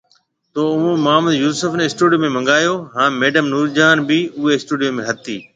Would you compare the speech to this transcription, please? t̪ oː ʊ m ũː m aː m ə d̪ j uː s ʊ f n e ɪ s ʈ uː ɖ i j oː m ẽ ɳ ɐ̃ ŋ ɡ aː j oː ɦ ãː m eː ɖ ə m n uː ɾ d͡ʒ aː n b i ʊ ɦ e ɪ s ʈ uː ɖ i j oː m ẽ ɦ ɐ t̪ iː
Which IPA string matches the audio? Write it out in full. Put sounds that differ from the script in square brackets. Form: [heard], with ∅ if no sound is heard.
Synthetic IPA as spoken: t̪ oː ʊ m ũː m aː m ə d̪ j uː s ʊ f n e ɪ s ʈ uː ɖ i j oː m ẽ [m] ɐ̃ ŋ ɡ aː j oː ɦ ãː m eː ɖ ə m n uː ɾ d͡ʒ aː n b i ʊ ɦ e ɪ s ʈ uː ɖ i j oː m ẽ ɦ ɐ t̪ iː